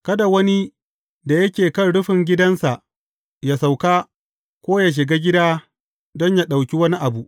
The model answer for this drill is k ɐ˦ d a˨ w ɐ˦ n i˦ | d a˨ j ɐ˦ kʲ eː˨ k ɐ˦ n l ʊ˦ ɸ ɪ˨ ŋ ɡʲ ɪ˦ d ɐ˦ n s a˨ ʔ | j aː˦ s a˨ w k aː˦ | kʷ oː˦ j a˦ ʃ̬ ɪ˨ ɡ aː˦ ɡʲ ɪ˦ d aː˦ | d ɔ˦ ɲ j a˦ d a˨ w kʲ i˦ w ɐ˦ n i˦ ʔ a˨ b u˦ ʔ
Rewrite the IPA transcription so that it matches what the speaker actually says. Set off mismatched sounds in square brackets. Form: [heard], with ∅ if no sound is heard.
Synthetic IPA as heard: k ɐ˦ d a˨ w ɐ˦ n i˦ | d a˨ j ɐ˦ kʲ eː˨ k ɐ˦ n [ɽ] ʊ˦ ɸ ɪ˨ ŋ ɡʲ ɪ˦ d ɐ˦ n s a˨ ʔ | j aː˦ s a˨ w k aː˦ | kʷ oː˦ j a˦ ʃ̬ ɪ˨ ɡ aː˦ ɡʲ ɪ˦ d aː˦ | d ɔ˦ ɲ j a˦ [ɗ] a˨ w kʲ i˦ w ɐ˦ n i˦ ʔ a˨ b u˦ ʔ

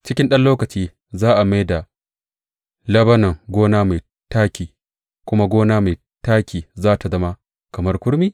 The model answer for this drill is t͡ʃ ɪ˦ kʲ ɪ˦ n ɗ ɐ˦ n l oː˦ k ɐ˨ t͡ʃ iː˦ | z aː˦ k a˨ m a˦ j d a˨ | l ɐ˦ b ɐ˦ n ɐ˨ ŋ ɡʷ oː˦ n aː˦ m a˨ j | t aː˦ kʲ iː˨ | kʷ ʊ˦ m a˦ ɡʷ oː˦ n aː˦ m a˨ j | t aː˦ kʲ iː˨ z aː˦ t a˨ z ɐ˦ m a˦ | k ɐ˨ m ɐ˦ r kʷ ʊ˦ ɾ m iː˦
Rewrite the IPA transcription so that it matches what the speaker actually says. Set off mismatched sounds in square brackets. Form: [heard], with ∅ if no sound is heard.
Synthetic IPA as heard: t͡ʃ ɪ˦ kʲ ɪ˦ n ɗ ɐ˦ n l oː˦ k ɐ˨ t͡ʃ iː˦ | z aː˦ [ʔ] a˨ m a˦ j d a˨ | l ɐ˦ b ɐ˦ n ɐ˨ ŋ ɡʷ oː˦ n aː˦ m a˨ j | t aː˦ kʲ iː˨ | kʷ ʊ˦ m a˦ ɡʷ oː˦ n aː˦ m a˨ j | t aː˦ kʲ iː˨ z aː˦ t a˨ z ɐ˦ m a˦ | k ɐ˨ m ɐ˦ r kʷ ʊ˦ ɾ m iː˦

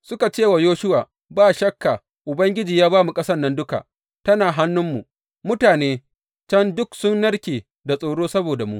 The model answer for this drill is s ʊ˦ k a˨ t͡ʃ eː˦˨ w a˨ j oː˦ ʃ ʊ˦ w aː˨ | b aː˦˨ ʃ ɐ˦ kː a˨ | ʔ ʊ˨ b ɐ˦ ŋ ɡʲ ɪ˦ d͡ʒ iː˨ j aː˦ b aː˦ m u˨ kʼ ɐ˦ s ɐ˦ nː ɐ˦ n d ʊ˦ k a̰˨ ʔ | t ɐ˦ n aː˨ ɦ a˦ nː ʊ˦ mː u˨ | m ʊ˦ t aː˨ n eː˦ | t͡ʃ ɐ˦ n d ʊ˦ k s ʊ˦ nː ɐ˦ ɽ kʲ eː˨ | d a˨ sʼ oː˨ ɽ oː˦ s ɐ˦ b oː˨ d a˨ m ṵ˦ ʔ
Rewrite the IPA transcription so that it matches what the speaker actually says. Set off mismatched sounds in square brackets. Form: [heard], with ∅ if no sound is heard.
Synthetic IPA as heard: s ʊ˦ k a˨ t͡ʃ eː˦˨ w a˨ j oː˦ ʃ ʊ˦ w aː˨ | b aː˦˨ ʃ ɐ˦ kː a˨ | ʔ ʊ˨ b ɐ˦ ŋ ɡʲ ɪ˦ d͡ʒ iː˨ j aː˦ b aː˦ m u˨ kʼ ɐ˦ s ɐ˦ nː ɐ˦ n d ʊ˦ k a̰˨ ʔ | t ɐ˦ n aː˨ ɦ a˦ nː ʊ˦ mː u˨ | m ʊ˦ t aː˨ n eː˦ | t͡ʃ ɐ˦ n d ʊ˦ k s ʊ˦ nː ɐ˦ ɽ kʲ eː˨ | d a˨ sʼ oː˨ ɽ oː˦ s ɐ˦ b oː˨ d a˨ m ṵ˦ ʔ

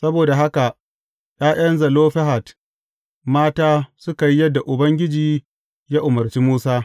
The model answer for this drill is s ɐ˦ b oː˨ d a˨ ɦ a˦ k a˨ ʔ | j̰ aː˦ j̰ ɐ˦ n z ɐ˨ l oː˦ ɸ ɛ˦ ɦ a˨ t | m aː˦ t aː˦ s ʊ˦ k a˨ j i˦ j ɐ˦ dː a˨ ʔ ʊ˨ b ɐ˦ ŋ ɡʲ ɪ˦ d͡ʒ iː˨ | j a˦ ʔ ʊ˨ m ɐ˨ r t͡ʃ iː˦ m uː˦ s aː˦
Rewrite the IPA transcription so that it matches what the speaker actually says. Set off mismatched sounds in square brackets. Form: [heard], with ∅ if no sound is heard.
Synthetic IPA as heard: s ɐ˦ b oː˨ d a˨ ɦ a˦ k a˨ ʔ | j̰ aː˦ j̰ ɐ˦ n z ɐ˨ l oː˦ ɸ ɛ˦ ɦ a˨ t | m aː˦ t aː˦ s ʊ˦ k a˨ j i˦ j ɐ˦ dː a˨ ʔ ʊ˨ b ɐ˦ ŋ ɡʲ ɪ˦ d͡ʒ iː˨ | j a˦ ʔ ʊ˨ m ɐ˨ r t͡ʃ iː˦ m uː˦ s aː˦

